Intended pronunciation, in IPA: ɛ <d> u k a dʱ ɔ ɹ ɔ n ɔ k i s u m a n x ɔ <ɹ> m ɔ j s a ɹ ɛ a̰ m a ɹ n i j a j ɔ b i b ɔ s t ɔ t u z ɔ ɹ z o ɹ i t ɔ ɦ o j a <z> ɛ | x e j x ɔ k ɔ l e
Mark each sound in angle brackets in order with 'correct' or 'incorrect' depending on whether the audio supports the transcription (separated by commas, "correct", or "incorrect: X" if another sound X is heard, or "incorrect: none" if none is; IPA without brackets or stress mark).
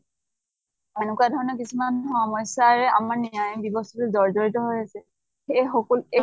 incorrect: n, incorrect: none, incorrect: s